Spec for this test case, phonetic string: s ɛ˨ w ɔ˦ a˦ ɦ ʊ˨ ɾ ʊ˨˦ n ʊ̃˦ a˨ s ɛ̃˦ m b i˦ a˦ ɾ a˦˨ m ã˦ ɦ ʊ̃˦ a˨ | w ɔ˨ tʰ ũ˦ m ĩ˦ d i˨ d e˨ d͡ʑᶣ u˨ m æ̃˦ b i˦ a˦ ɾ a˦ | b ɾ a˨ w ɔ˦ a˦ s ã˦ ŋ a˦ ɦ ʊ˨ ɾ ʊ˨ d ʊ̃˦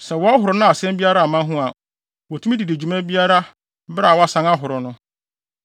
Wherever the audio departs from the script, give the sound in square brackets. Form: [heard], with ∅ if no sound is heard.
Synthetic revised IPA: s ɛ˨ w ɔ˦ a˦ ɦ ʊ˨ ɾ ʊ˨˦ n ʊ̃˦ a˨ s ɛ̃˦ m b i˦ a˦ ɾ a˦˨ m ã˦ ɦ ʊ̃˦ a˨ | w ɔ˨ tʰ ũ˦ m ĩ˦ d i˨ d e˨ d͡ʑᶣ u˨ m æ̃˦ b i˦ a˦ ɾ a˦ | b ɾ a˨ w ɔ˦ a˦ s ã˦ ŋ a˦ ɦ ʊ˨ ɾ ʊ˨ [n] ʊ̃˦